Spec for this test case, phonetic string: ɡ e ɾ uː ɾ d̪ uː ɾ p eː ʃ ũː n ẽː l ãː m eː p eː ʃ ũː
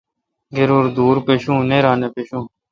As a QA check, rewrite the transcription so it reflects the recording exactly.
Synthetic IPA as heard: ɡ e ɾ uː ɾ d̪ uː ɾ p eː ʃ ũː n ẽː ɾ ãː n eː p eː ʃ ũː

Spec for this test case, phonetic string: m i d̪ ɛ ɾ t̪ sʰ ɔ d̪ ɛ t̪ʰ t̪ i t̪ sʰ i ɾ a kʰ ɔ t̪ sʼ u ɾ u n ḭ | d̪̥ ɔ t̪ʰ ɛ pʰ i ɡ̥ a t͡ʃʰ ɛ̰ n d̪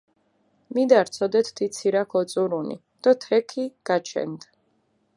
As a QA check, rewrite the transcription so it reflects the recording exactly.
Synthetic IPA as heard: m i d̪ a ɾ t̪ sʰ ɔ d̪ ɛ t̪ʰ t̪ i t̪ sʰ i ɾ a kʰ ɔ t̪ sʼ u ɾ u n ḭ | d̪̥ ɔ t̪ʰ ɛ kʰ i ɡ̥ a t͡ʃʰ ɛ̰ n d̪

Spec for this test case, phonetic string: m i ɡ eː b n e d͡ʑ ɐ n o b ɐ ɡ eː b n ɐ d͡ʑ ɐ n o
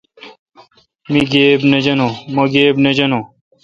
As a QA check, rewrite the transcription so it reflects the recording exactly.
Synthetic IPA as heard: m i ɡ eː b n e d͡ʑ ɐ n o m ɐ ɡ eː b n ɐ d͡ʑ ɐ n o

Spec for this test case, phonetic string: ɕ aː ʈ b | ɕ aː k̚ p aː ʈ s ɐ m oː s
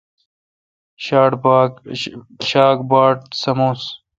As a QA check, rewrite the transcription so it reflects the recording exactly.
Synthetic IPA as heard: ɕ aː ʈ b | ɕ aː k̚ b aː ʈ s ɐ m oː s

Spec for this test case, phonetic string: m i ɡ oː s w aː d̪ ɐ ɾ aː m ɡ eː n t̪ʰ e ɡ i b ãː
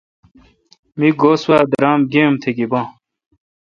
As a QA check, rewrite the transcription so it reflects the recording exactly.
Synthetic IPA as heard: m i ɡ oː s w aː d̪ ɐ ɾ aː m ɡ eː m t̪ʰ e ɡ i b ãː

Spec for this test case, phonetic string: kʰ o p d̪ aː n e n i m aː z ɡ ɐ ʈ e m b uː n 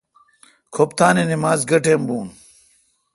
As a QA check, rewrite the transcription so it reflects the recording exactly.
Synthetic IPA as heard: kʰ o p t̪ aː n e n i m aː z ɡ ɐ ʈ e m b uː n

